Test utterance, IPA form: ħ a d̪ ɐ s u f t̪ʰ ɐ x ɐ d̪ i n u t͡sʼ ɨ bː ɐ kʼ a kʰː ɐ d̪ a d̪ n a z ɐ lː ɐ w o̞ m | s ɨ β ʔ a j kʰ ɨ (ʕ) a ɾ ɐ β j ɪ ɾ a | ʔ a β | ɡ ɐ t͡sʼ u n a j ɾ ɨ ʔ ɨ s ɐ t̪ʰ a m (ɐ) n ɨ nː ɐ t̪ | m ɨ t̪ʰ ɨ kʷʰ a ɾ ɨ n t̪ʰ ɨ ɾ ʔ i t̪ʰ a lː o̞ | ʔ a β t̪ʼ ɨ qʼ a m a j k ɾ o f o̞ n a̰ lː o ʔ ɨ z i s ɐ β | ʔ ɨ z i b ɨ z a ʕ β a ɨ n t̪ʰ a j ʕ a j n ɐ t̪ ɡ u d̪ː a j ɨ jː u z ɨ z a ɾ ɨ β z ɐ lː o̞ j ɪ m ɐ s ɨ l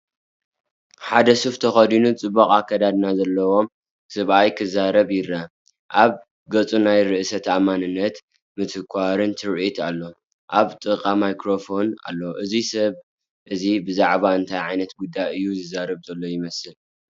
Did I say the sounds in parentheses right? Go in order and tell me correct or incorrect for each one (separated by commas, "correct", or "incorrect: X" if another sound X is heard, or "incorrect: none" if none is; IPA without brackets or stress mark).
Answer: incorrect: z, incorrect: a